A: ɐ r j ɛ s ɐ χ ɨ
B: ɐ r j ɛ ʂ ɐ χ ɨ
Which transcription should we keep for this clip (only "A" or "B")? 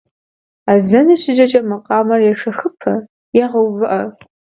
B